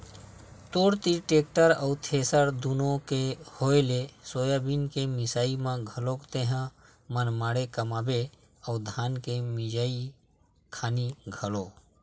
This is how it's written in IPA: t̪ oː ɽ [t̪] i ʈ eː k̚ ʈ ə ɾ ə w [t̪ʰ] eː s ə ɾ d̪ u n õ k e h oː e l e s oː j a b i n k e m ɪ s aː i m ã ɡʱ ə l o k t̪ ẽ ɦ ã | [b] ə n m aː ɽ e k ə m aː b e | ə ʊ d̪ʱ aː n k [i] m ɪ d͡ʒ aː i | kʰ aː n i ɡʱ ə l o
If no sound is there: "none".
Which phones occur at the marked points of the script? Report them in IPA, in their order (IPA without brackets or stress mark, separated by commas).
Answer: t̪, t̪ʰ, m, e